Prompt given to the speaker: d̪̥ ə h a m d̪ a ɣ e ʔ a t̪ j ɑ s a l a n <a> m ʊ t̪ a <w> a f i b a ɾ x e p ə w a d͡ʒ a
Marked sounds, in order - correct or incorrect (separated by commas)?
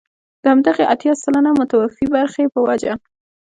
correct, correct